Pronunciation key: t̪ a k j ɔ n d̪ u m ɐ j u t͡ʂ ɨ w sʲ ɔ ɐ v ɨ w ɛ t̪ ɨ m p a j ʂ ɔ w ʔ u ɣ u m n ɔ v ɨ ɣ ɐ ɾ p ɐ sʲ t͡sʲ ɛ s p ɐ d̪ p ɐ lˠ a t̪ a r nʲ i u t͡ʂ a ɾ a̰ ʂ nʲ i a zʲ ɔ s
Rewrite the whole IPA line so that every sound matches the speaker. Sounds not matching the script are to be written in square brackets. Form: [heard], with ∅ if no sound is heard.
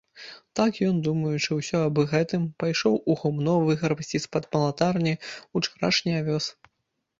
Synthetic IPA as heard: t̪ a k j ɔ n d̪ u m ɐ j u t͡ʂ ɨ w sʲ ɔ ɐ [b] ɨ [ɣ] ɛ t̪ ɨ m p a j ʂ ɔ w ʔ u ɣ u m n ɔ v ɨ ɣ ɐ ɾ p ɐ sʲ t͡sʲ [i] s p ɐ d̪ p ɐ lˠ a t̪ a r nʲ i u t͡ʂ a ɾ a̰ ʂ nʲ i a [vʲ] ɔ s